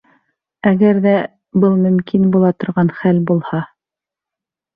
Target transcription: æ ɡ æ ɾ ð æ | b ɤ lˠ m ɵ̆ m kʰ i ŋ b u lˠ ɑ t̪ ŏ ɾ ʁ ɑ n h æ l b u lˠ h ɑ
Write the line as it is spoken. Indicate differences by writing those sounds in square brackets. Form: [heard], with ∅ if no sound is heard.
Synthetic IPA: æ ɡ æ ɾ ð æ | b ɤ lˠ m ɵ̆ m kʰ i [n] b u lˠ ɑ t̪ ŏ ɾ ʁ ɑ n [χ] æ l b u lˠ h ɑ